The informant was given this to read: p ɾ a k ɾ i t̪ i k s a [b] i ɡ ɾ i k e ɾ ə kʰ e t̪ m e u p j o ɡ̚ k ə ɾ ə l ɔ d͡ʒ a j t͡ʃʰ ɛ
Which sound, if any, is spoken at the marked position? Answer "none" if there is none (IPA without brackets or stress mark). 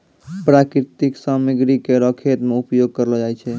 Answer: m